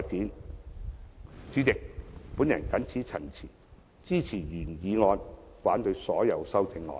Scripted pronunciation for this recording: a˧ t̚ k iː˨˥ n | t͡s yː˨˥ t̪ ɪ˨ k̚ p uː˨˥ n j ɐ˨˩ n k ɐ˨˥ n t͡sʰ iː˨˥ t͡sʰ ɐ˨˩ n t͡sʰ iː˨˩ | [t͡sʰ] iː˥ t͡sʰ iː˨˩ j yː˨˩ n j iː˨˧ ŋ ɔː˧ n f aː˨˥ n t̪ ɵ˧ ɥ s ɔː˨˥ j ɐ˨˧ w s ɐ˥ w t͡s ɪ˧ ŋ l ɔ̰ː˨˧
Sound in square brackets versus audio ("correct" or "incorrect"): incorrect